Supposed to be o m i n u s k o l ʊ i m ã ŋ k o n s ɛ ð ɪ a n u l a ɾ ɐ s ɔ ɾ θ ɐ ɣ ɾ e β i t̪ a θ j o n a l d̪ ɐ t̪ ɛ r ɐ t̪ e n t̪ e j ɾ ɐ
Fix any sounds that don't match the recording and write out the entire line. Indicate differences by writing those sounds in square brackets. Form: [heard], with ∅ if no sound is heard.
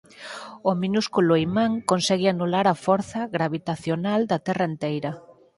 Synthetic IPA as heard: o m i n u s k [u] l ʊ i m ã ŋ k o n s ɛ [ɣ] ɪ a n u l a ɾ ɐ [f] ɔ ɾ θ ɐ ɣ ɾ [a] β i t̪ a θ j o n a l d̪ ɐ t̪ ɛ r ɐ [∅] e n t̪ e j ɾ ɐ